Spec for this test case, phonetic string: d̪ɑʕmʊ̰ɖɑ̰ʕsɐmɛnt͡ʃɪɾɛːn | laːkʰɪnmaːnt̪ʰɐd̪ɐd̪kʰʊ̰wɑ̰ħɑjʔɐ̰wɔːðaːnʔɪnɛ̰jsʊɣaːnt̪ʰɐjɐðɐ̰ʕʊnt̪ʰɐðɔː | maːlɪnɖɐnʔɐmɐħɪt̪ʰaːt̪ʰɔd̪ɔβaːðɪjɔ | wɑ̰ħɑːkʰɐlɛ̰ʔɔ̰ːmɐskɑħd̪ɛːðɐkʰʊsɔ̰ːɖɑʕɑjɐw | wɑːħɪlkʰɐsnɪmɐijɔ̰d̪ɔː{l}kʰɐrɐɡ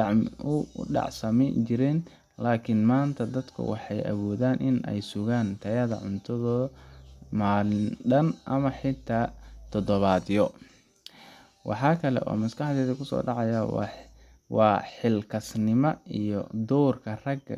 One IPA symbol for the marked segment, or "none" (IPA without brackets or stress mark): r